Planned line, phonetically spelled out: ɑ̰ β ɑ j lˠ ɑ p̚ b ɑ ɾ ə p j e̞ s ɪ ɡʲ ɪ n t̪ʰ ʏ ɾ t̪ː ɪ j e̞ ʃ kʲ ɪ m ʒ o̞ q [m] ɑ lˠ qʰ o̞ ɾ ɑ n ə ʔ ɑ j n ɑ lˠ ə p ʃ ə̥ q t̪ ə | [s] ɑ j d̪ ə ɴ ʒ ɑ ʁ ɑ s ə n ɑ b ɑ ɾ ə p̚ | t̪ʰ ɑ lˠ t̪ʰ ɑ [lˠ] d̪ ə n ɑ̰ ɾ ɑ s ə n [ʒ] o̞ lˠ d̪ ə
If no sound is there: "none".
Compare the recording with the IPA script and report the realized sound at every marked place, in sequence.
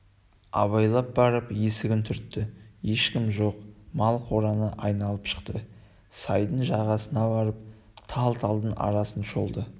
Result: m, s, lˠ, ʃ

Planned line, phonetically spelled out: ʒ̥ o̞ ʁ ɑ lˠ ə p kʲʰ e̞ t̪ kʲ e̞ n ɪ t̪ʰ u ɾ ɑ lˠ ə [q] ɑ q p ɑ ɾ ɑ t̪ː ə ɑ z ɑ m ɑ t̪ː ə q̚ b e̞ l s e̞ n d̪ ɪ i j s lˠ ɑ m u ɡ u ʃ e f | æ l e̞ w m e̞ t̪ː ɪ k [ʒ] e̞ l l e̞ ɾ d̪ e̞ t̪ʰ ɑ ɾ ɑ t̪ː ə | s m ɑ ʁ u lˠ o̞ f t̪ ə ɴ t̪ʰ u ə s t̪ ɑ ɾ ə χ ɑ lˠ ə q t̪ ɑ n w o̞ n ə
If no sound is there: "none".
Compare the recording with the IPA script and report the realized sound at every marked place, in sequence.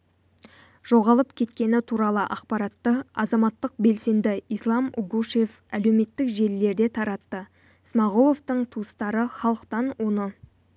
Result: ʔ, ʒ

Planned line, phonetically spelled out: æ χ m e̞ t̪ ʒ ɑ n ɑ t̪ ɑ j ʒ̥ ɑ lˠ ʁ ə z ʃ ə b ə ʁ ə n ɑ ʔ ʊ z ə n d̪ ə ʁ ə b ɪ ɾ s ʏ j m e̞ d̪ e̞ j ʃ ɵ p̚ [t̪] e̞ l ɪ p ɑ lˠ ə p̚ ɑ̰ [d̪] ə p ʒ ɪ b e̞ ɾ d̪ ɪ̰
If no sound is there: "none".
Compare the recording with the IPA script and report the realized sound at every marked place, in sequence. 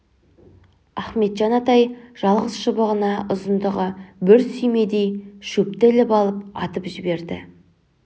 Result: t̪, t̪

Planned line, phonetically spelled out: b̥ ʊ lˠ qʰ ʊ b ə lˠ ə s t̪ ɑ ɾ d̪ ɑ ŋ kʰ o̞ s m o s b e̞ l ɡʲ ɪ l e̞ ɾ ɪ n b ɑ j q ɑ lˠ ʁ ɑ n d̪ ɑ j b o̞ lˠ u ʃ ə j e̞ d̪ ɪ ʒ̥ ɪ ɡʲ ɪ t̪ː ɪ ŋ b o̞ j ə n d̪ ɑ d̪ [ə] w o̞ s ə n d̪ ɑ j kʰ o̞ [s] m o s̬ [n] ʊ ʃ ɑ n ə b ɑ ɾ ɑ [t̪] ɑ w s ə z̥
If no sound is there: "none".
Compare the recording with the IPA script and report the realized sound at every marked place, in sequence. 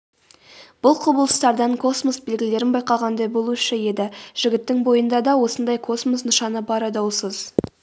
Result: ɑ, s, n, d̪

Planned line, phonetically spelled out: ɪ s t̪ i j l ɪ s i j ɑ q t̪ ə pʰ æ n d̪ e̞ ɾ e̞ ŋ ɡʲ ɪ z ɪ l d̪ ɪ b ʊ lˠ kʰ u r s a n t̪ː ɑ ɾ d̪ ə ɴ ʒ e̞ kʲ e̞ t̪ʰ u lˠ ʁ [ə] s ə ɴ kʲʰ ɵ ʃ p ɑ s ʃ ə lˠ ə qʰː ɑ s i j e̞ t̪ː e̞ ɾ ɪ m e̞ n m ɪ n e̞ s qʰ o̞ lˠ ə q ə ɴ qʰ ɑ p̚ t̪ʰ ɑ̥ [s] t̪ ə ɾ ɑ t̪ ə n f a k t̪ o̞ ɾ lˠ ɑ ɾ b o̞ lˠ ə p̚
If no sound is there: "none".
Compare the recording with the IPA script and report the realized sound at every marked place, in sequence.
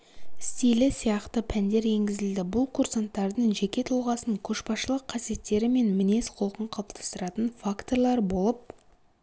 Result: ɑ, s

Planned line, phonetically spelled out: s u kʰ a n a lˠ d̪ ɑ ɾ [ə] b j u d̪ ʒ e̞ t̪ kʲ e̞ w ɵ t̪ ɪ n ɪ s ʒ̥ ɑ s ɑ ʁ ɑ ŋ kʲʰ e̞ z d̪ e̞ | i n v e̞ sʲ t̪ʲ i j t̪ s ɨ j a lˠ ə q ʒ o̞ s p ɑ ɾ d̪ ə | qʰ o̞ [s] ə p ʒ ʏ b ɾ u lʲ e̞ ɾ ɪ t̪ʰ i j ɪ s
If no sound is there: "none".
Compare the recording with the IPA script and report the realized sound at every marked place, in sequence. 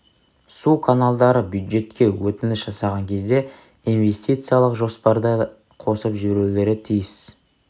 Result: ə, s

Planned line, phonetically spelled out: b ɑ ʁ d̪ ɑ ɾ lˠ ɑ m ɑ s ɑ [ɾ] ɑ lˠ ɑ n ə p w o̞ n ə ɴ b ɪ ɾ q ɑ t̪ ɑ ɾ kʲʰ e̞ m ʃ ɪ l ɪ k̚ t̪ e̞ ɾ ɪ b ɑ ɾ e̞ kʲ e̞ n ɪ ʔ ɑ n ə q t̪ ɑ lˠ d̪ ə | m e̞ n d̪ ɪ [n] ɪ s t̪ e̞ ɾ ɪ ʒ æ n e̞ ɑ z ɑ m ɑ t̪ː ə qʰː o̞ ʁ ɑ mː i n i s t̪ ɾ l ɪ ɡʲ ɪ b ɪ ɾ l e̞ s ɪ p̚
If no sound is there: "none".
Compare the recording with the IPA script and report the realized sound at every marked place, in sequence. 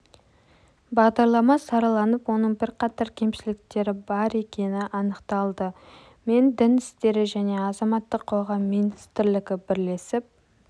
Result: ɾ, n

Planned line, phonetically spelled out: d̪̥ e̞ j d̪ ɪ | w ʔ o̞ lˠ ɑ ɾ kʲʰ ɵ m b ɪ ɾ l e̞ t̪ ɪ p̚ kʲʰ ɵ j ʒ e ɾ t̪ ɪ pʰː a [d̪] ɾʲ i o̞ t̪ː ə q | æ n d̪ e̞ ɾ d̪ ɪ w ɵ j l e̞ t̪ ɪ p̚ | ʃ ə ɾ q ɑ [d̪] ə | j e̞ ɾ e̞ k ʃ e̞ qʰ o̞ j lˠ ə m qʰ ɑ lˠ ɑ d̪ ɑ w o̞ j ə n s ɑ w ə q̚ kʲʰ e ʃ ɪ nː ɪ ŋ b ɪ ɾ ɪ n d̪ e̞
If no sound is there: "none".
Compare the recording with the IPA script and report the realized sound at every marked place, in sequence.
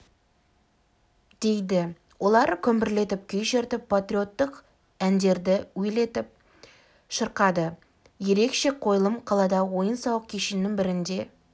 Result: t̪, d̪

